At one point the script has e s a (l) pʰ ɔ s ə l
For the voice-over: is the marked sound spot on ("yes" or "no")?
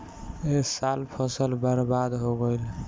yes